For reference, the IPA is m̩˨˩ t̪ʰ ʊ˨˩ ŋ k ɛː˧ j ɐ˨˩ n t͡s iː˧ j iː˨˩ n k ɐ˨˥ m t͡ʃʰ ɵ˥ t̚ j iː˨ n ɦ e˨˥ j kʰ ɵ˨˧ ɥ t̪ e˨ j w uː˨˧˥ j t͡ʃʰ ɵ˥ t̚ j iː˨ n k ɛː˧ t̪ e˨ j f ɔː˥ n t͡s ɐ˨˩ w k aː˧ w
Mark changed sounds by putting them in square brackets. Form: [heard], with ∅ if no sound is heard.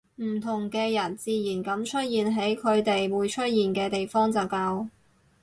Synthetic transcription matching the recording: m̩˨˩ t̪ʰ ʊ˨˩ ŋ k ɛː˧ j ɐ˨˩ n t͡s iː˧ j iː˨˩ n k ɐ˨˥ m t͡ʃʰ ɵ˥ t̚ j iː˨ n ɦ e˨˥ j kʰ ɵ˨˧ ɥ t̪ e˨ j w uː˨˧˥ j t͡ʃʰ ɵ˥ t̚ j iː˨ n k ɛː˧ t̪ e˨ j f ɔː˥ [ŋ] t͡s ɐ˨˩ w k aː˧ w